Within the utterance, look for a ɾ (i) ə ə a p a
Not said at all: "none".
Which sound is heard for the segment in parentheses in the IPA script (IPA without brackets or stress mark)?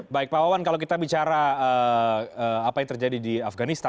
a